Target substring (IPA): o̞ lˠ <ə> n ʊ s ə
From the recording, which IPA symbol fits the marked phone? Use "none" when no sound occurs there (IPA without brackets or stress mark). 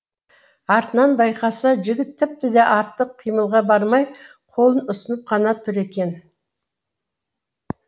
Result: ə